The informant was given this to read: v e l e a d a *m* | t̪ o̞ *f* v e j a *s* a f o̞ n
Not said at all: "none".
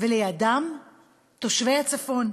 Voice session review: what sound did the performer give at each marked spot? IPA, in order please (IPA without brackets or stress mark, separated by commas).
m, ʃ, t͡s